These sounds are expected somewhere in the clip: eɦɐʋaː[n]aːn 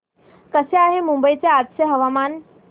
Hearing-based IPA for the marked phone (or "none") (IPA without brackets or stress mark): m